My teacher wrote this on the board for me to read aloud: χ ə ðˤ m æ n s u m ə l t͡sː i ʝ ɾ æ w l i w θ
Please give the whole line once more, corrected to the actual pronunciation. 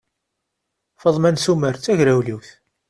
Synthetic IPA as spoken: f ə ðˤ m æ n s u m ə ɾ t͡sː æ ʝ ɾ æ w l i w θ